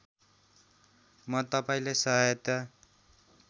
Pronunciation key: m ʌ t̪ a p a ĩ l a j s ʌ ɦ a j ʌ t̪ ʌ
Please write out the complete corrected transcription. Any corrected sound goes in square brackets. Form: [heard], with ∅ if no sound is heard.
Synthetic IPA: m ʌ t̪ [ʌ] p a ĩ l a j s ʌ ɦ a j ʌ t̪ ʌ